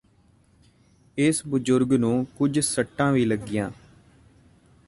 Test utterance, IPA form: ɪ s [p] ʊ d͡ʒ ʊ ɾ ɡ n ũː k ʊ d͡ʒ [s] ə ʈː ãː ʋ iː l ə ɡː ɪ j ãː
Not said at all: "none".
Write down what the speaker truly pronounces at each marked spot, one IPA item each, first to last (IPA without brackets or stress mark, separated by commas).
b, s